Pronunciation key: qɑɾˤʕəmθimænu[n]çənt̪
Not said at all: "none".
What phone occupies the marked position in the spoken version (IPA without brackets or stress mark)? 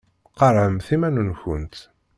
n